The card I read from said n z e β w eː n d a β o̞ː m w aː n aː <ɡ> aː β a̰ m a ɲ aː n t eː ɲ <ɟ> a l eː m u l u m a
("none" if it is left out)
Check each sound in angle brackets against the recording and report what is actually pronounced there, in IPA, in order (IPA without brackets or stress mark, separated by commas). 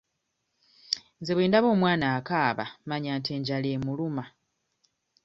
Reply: k, ɟ